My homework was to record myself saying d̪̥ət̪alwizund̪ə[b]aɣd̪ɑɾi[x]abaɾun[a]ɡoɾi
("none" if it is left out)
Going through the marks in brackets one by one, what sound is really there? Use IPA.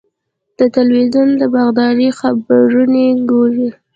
b, x, e

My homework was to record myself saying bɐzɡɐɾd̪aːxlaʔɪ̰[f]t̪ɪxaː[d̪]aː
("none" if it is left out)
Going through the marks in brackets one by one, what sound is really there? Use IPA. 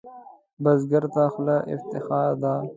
f, d̪

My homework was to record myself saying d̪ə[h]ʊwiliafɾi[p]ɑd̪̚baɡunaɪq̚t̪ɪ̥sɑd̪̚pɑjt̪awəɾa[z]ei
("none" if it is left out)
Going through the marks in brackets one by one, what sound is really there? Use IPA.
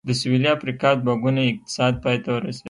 s, k, s

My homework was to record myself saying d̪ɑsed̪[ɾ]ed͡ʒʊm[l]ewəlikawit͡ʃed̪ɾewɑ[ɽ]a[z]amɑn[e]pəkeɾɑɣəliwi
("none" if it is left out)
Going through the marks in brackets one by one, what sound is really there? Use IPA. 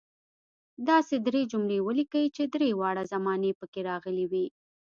ɾ, ɽ, ɽ, z, e

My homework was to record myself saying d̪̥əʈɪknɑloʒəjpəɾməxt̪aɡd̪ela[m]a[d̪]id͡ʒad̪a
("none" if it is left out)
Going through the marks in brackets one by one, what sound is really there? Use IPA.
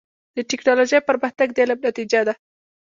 n, t̪

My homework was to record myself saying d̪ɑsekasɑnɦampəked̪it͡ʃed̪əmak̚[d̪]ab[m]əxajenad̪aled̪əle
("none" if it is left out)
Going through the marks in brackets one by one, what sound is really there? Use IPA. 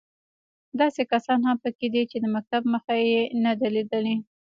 t̪, m

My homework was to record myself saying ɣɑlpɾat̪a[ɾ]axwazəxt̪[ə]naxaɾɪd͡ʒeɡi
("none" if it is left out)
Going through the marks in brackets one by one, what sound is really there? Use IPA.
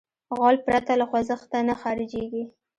l, a

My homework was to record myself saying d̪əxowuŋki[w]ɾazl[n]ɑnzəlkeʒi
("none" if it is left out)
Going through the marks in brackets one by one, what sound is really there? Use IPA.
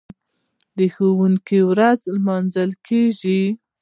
w, m

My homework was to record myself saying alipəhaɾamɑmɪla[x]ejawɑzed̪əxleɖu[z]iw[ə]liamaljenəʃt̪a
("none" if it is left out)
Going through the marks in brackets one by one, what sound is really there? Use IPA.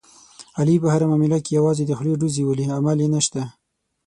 k, z, ə

